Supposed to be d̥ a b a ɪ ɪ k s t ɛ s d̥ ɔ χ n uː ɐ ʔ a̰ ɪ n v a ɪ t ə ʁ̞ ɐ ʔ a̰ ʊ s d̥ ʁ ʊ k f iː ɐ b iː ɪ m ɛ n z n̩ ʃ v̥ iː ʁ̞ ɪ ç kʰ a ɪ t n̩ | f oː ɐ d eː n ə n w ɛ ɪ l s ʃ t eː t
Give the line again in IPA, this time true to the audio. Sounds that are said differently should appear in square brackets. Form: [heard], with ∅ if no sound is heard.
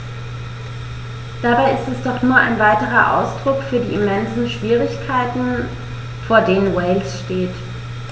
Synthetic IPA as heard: d̥ a b a ɪ ɪ [∅] s t ɛ s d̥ ɔ χ n uː ɐ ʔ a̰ ɪ n v a ɪ t ə ʁ̞ ɐ ʔ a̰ ʊ s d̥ ʁ ʊ k f [yː] ɐ [d] iː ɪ m ɛ n z n̩ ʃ v̥ iː ʁ̞ ɪ ç kʰ a ɪ t n̩ | f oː ɐ d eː n ə n w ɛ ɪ l s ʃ t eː t